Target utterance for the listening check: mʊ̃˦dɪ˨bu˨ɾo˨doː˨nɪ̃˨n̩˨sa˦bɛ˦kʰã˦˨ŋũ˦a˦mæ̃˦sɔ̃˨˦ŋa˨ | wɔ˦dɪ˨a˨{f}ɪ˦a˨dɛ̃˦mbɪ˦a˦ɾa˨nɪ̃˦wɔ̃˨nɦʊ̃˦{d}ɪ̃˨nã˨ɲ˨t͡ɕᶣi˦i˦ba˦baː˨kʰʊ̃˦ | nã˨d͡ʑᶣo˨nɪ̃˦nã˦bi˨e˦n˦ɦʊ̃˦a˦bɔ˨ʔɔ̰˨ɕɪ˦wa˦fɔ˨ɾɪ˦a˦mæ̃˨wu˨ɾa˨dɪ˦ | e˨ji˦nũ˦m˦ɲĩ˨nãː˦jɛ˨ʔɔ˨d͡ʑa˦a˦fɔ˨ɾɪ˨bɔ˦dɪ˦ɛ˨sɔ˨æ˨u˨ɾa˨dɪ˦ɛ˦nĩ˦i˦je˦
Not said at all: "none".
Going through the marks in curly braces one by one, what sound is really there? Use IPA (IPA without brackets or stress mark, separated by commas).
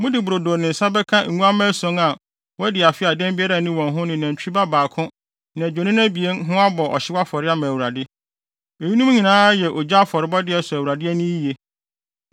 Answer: f, n